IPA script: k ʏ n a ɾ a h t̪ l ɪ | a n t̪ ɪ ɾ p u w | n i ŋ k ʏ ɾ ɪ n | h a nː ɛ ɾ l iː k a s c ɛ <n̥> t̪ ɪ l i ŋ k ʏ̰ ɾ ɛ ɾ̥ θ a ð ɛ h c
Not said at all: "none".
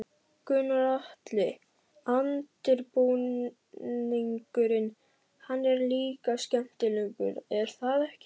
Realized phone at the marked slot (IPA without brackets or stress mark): m̥